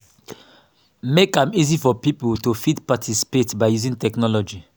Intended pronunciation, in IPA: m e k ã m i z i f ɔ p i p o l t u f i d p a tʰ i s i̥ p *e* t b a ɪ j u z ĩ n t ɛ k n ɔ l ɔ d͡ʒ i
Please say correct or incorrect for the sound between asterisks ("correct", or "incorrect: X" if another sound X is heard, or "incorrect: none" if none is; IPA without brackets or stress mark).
correct